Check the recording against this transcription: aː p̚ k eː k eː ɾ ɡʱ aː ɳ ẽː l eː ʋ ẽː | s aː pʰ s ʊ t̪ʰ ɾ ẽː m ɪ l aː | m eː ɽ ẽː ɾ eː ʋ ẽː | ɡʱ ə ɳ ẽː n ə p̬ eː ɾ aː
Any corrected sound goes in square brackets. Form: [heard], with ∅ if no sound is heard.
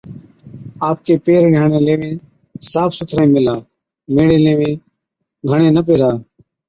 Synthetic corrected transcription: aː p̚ k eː [p] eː ɾ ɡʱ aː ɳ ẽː l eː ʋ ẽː | s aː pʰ s ʊ t̪ʰ ɾ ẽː m ɪ l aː | m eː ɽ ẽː [l] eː ʋ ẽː | ɡʱ ə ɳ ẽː n ə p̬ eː ɾ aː